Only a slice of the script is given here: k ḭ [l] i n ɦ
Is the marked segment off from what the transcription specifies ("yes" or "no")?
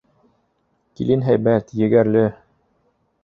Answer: no